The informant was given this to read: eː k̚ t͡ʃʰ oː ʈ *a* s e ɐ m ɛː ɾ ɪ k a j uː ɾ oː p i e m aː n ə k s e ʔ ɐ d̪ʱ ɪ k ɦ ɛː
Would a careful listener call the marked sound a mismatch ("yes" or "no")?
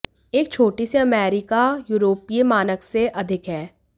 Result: yes